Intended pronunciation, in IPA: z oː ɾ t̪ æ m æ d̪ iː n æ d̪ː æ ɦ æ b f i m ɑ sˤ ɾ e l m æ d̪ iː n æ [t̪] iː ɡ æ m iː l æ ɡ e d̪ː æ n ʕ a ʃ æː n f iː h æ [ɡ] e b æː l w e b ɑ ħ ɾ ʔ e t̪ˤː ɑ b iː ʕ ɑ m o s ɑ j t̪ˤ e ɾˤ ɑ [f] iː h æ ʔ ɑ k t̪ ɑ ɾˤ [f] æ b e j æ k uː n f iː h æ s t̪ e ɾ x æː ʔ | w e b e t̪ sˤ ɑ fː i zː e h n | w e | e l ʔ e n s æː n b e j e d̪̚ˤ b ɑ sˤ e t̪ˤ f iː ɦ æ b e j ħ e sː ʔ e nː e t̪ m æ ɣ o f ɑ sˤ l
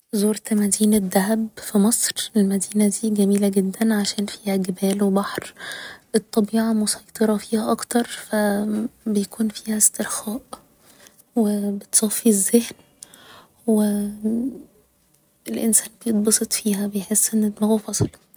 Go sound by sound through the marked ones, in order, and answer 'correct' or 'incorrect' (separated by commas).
incorrect, correct, correct, correct